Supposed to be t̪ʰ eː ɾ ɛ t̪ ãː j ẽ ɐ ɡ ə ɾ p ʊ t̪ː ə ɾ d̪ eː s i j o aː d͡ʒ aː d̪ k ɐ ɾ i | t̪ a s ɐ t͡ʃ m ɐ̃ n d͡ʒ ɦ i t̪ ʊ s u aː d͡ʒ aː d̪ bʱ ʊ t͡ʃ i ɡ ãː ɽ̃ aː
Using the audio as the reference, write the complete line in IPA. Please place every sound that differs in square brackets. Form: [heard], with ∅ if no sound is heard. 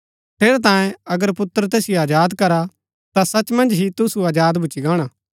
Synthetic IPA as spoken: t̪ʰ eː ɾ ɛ t̪ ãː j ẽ ɐ ɡ ə ɾ p ʊ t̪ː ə ɾ [t̪] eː s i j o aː d͡ʒ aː d̪ k ɐ ɾ [a] | t̪ a s ɐ t͡ʃ m ɐ̃ n d͡ʒ ɦ i t̪ ʊ s u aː d͡ʒ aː d̪ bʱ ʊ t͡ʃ i ɡ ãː ɽ̃ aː